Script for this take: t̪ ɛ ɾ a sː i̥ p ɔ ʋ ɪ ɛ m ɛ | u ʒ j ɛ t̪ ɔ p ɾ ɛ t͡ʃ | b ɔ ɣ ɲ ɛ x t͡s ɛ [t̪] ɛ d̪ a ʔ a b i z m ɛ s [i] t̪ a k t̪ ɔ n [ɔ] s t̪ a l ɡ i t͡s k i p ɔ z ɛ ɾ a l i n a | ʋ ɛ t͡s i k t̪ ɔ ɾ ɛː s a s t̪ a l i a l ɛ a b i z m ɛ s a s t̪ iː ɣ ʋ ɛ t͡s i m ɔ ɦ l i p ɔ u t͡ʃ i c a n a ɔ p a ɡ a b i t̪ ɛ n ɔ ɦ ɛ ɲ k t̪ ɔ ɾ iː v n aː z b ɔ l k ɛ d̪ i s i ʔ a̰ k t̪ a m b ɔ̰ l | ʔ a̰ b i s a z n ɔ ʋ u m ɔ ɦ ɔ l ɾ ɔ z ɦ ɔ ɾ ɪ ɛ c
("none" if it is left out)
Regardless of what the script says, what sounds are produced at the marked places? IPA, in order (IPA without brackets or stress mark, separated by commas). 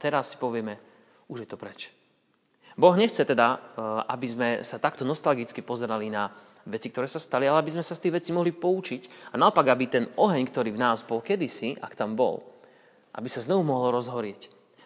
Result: t̪, a, ɔ